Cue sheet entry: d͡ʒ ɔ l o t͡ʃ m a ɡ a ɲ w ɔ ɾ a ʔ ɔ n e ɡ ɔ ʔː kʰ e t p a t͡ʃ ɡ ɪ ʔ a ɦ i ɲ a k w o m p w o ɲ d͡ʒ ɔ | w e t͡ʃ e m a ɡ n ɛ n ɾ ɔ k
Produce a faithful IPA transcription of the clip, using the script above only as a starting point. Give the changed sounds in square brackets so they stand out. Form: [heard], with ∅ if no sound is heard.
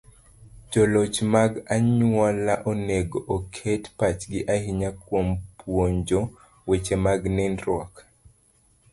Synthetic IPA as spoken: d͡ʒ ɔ l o t͡ʃ m a ɡ a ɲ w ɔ [l] a ʔ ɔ n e ɡ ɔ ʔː kʰ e t p a t͡ʃ ɡ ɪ ʔ a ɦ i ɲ a k w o m p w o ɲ d͡ʒ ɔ | w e t͡ʃ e m a ɡ n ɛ n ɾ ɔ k